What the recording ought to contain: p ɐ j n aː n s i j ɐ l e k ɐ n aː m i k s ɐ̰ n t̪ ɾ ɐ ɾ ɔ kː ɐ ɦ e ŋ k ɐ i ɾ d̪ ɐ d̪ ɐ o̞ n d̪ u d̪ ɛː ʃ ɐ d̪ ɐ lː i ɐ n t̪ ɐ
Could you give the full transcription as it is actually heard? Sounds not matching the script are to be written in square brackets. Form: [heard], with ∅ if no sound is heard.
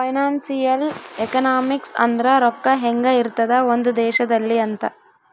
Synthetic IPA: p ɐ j n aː n s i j ɐ l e k ɐ n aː m i k s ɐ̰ n [d̪] ɾ ɐ ɾ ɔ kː ɐ ɦ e ŋ [ɡ] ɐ i ɾ [t̪] ɐ d̪ ɐ o̞ n d̪ u d̪ ɛː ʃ ɐ d̪ ɐ lː i ɐ n t̪ ɐ